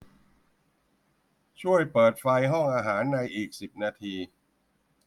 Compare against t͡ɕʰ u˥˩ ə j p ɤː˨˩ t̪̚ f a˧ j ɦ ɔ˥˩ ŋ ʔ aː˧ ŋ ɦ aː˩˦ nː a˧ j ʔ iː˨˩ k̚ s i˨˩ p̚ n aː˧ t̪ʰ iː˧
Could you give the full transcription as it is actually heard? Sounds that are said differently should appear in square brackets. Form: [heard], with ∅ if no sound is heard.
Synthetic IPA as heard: t͡ɕʰ u˥˩ ə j p ɤː˨˩ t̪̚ f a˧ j ɦ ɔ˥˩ ŋ ʔ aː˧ [∅] ɦ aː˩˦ nː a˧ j ʔ iː˨˩ k̚ s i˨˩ p̚ n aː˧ t̪ʰ iː˧